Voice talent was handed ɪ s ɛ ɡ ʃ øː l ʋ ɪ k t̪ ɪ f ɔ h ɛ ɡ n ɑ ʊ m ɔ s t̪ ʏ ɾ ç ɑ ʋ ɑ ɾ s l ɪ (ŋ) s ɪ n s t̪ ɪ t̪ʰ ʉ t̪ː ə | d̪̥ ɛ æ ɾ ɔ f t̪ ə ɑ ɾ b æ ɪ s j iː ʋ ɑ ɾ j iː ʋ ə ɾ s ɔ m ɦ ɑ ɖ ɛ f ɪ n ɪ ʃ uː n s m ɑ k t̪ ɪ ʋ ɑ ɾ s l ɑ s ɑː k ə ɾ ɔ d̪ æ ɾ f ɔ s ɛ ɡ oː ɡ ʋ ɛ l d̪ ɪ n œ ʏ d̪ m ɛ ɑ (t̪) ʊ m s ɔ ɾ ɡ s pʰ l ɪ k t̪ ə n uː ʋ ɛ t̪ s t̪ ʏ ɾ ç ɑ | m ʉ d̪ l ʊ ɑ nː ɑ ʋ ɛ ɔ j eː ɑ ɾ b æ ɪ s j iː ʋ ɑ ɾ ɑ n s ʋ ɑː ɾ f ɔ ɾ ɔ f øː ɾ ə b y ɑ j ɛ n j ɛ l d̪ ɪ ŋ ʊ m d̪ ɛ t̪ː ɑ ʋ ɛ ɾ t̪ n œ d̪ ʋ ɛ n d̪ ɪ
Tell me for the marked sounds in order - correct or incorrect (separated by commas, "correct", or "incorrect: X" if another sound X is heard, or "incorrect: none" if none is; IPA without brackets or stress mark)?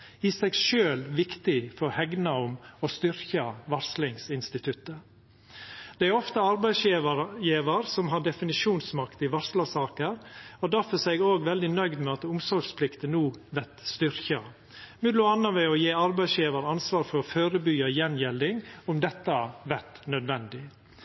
correct, correct